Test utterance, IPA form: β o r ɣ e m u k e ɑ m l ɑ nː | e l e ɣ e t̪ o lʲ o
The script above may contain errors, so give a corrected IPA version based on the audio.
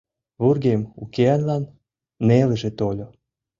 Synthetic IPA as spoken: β u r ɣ e m u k e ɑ n l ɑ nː | e l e ʒ e t̪ o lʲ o

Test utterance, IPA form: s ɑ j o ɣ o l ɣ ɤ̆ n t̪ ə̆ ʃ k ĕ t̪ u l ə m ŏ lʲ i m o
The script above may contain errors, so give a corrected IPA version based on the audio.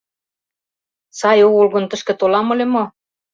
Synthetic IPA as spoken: s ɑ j o ɣ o l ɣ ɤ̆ n t̪ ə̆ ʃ k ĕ t̪ o l ɑ m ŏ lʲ e m o

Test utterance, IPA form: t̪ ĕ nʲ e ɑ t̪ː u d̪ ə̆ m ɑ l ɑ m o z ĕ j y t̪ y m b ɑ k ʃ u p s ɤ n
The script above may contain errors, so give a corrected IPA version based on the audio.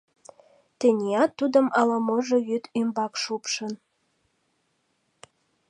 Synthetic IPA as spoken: t̪ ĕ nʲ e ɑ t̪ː u d̪ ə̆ m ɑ l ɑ m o ʒ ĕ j y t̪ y m b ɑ k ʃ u p ʃ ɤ n

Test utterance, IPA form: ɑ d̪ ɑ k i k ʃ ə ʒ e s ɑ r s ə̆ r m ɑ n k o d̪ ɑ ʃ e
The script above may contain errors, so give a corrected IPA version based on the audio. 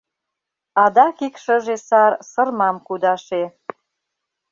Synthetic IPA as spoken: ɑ d̪ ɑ k i k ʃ ə ʒ e s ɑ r s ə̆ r m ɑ m k u d̪ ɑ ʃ e

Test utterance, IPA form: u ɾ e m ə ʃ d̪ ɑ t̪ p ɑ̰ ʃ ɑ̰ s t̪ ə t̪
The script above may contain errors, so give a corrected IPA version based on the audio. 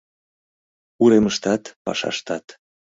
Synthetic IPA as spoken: u ɾ e m ə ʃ t̪ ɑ t̪ p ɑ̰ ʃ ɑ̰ ʃ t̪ ɑ t̪

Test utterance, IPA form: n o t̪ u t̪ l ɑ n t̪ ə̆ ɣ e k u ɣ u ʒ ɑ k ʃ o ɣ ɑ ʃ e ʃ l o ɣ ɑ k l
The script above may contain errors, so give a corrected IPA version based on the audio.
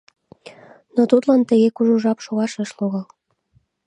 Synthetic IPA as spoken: n o t̪ u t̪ l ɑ n t̪ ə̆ ɣ e k u ʒ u ʒ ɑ p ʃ o ɣ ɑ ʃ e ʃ l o ɣ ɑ l

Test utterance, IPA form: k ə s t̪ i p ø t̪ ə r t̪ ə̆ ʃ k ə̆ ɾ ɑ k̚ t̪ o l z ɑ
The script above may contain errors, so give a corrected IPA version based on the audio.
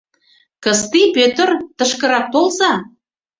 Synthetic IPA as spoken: k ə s t̪ i p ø t̪ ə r t̪ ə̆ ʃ k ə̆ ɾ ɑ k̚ t̪ o l z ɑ

